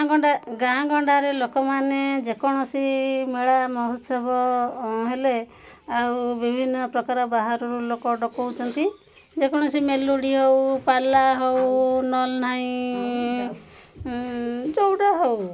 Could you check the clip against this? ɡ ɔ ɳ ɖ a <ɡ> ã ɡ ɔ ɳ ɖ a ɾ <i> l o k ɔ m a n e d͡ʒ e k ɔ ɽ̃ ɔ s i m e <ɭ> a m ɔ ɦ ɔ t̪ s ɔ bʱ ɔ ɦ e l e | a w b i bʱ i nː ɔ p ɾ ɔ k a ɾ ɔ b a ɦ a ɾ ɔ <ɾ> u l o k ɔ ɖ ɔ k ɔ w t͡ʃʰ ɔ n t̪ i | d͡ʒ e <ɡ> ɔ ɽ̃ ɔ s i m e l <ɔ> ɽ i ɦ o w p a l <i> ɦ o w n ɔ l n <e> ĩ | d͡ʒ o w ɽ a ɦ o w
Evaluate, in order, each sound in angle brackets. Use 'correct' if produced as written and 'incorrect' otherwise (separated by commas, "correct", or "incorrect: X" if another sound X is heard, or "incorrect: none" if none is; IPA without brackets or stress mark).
correct, incorrect: e, correct, correct, incorrect: k, incorrect: u, incorrect: a, incorrect: a